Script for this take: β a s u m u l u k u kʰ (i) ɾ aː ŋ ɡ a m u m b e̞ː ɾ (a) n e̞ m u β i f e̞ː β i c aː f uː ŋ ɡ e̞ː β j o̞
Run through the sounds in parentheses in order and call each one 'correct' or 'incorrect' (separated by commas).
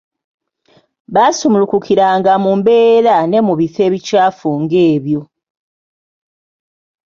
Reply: correct, correct